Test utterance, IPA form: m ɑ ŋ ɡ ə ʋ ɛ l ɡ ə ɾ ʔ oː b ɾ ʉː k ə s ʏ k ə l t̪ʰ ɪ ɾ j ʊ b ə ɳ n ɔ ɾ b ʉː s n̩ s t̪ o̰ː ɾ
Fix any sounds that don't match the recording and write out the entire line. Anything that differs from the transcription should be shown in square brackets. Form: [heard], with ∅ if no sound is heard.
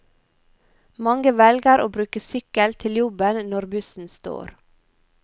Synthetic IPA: m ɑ ŋ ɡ ə ʋ ɛ l ɡ ə ɾ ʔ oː b ɾ ʉː k ə s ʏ k ə l t̪ʰ ɪ [l] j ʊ b ə [n] n ɔ ɾ b [ʉ] s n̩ s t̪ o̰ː ɾ